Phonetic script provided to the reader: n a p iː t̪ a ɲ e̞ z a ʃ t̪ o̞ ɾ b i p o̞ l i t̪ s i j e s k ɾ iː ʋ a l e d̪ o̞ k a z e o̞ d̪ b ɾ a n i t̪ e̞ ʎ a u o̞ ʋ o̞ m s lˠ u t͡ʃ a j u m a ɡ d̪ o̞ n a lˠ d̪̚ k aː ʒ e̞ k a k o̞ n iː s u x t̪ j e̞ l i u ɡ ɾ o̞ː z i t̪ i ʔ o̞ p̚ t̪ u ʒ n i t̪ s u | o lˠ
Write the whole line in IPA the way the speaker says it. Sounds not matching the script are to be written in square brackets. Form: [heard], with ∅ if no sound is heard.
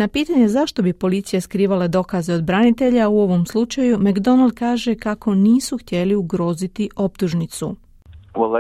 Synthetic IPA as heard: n a p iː t̪ a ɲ e̞ z a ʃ t̪ o̞ [∅] b i p o̞ l i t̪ s i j e s k ɾ iː ʋ a l e d̪ o̞ k a z e o̞ d̪ b ɾ a n i t̪ e̞ ʎ a u o̞ ʋ o̞ m s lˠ u t͡ʃ a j u m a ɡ d̪ o̞ n a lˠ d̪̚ k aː ʒ e̞ k a k o̞ n iː s u x t̪ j e̞ l i u ɡ ɾ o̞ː z i t̪ i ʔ o̞ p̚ t̪ u ʒ n i t̪ s u | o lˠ